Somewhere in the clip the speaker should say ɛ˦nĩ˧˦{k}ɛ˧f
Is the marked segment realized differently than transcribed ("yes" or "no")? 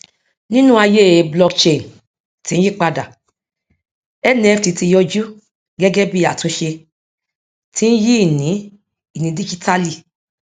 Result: yes